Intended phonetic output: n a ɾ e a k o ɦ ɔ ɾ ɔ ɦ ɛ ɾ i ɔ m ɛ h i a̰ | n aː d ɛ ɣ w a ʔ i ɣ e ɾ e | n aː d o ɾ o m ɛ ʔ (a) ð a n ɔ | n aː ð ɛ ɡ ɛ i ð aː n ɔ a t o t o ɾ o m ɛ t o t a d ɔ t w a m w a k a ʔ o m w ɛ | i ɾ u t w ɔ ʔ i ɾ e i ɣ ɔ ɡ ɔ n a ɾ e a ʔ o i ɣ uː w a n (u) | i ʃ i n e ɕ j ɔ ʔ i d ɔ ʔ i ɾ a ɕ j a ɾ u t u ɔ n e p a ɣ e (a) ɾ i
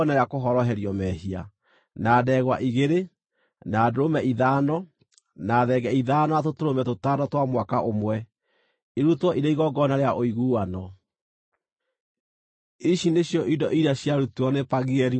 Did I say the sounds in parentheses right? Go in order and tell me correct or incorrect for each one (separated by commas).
incorrect, incorrect, incorrect